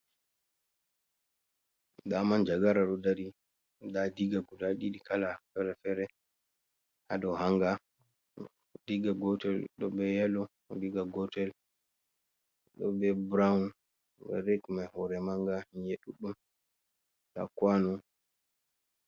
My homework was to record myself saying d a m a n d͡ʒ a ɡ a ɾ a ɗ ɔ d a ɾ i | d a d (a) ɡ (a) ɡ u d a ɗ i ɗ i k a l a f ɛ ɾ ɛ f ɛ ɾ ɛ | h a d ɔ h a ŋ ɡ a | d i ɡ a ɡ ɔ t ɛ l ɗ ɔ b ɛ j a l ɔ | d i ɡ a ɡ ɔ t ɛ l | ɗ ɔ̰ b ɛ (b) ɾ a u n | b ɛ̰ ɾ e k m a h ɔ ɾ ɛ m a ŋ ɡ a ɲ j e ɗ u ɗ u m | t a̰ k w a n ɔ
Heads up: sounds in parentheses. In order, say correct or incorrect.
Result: incorrect: i, correct, correct

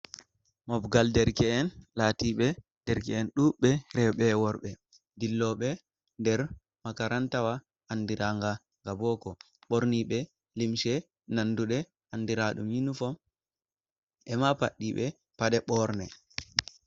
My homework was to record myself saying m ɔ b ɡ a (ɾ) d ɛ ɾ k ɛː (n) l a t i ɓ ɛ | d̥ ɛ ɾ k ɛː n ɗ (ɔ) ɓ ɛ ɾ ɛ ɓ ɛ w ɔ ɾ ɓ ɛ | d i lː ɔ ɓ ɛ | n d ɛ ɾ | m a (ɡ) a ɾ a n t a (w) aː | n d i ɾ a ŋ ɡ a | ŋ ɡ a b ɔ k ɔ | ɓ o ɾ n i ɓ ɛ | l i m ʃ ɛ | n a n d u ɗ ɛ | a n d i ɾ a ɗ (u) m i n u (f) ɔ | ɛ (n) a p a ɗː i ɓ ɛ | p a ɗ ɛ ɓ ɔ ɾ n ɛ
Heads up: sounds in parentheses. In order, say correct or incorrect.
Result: incorrect: l, correct, incorrect: u, incorrect: k, correct, correct, correct, incorrect: m

